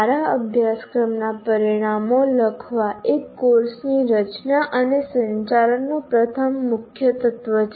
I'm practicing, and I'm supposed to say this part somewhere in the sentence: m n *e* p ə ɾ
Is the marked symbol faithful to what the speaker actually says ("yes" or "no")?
no